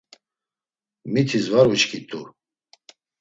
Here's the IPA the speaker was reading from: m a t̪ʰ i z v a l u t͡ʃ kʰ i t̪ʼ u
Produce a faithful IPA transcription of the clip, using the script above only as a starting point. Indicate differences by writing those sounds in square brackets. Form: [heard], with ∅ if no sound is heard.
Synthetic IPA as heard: m [i] t̪ʰ i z v a [ɾ] u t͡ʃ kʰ i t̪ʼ u